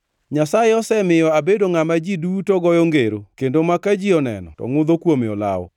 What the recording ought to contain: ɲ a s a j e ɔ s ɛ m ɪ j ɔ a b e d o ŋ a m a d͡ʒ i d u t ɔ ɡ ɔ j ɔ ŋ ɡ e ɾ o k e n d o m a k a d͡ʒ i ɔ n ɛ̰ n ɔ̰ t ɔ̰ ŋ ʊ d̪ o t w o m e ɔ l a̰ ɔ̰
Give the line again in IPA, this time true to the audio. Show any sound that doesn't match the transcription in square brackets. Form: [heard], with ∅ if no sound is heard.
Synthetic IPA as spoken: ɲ a s a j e ɔ s ɛ m ɪ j ɔ a b e d o ŋ a m a d͡ʒ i d u t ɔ ɡ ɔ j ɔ ŋ ɡ e ɾ o k e n d o m a k a d͡ʒ i ɔ n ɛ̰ n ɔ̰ t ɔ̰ ŋ ʊ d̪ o [k] w o m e ɔ l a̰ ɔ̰